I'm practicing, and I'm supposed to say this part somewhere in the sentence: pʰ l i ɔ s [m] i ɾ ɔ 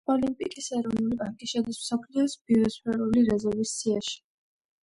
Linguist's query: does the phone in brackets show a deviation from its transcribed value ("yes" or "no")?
yes